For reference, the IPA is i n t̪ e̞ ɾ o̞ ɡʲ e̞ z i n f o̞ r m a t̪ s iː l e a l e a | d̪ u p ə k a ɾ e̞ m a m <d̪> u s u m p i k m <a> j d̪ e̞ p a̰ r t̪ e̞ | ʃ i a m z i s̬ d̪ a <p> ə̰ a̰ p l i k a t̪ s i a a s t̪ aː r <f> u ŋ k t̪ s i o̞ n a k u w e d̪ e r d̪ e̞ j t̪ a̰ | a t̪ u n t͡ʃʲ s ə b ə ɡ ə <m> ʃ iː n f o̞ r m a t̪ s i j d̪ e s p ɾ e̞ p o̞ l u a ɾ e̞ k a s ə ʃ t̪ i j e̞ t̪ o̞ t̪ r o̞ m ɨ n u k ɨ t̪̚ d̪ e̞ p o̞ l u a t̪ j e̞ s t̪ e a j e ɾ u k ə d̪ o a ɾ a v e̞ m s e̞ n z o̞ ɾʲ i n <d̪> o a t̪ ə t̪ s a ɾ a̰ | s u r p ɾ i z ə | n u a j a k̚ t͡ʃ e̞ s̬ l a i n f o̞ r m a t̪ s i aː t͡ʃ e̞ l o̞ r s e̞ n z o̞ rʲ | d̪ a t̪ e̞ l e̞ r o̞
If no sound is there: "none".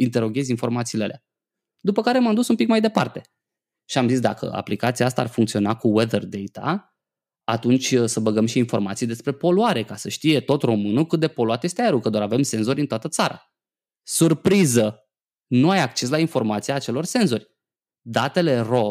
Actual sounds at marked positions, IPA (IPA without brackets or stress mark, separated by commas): d̪, a, k, f, m, t̪